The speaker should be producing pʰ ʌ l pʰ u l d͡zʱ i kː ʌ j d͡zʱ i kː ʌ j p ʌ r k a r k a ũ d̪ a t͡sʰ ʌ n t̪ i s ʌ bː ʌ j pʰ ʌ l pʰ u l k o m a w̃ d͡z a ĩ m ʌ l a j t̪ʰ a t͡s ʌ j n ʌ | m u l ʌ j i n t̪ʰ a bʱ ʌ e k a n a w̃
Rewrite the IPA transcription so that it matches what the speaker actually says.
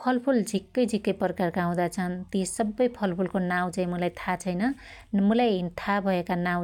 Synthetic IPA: pʰ ʌ l pʰ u l d͡zʱ i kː ʌ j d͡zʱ i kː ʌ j p ʌ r k a r k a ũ d̪ a t͡sʰ ʌ n t̪ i s ʌ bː ʌ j pʰ ʌ l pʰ u l k o n a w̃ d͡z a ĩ m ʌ l a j t̪ʰ a t͡sʰ ʌ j n ʌ | m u l a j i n t̪ʰ a bʱ ʌ e k a n a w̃